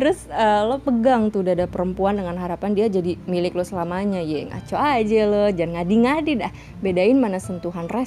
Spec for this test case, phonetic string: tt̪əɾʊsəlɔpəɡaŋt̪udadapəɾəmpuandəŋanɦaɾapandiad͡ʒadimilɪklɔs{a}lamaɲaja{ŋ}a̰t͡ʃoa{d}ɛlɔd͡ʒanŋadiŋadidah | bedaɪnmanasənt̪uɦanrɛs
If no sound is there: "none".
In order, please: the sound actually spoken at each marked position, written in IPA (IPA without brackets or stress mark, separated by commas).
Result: ə, ŋ, d͡ʒ